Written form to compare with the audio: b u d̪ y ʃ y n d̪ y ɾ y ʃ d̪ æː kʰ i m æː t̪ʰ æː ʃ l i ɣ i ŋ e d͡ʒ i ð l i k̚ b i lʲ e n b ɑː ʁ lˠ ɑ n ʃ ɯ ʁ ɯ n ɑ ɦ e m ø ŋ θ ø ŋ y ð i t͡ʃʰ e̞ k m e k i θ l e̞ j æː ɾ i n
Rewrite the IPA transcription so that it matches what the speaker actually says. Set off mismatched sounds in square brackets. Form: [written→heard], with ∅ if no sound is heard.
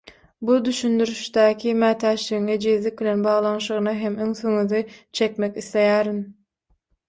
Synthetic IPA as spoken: b u d̪ y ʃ y n d̪ y ɾ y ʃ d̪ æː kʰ i m æː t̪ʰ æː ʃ l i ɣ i ŋ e d͡ʒ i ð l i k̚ b i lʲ e n b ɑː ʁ lˠ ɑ n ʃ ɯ ʁ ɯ n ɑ ɦ e m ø ŋ θ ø ŋ y ð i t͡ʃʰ e̞ k m e k i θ l e̞ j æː ɾ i n